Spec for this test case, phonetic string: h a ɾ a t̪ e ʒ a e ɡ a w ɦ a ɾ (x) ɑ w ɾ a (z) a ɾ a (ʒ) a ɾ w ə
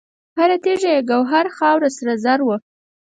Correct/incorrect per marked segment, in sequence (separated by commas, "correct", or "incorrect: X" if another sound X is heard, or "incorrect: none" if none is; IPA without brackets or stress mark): correct, incorrect: s, incorrect: z